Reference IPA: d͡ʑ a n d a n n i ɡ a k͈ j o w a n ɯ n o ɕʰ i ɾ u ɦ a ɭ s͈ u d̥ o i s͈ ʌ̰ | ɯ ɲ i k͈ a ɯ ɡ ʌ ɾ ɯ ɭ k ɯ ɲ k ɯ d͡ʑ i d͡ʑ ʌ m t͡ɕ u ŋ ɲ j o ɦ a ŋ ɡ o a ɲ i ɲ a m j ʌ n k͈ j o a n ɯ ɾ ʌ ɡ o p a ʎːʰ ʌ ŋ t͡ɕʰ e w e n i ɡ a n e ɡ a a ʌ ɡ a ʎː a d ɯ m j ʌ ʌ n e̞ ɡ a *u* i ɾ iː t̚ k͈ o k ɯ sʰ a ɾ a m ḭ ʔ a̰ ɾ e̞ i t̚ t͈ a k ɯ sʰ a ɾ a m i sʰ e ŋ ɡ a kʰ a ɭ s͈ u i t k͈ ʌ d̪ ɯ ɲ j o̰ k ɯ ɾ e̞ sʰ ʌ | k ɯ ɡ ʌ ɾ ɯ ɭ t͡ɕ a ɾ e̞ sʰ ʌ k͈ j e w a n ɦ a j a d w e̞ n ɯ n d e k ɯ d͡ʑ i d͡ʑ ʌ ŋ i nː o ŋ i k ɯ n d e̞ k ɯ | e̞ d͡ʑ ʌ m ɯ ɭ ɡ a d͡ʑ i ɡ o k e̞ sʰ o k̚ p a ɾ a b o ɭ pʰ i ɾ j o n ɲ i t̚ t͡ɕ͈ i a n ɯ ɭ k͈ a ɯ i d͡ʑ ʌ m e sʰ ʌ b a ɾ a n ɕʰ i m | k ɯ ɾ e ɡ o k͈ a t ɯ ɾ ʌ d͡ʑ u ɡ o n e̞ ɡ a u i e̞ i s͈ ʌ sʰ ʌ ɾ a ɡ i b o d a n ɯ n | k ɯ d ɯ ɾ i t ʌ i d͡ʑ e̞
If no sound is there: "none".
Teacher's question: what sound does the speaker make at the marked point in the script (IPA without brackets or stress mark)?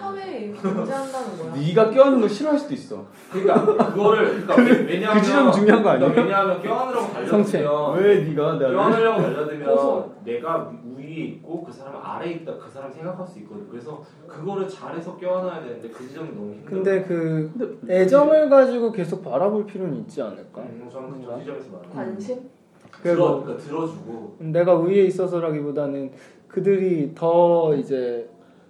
u